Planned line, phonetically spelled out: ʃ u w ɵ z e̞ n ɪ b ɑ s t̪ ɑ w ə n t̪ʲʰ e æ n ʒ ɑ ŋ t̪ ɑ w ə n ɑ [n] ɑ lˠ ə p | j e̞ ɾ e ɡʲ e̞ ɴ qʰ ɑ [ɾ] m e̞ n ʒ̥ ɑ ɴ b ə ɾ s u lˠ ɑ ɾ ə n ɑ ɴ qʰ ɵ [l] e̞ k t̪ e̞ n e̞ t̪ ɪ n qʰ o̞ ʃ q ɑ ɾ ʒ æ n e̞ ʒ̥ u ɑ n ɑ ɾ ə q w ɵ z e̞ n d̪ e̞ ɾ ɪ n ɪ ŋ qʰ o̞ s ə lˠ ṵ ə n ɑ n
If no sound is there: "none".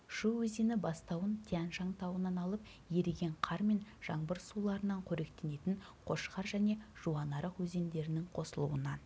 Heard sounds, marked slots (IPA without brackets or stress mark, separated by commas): n, ɾ, ɾ